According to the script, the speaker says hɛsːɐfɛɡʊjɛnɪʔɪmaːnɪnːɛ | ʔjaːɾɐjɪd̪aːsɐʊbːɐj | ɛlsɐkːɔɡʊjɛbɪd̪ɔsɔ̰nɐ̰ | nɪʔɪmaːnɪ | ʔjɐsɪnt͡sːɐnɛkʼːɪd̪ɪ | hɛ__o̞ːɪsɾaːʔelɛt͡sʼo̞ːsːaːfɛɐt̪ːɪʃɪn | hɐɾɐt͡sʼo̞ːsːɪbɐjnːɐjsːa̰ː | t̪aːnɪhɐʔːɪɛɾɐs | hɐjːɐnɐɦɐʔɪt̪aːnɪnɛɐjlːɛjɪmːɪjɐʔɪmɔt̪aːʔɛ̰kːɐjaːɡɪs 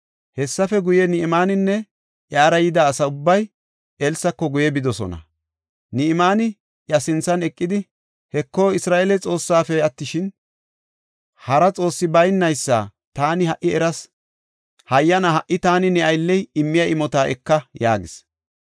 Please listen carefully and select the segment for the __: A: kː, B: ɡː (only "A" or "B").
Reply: A